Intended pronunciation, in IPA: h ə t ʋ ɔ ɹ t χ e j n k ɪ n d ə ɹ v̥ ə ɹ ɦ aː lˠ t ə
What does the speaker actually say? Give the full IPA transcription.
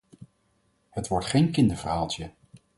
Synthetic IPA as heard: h ə t ʋ ɔ ɹ t χ e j n k ɪ n d ə ɹ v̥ ə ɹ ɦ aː lˠ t ə